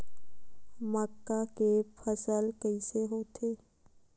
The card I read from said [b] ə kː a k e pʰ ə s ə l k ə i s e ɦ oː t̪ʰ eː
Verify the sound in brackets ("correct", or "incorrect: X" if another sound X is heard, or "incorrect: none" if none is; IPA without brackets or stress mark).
incorrect: m